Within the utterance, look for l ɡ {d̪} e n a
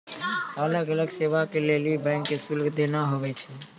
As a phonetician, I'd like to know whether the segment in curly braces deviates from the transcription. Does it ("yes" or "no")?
no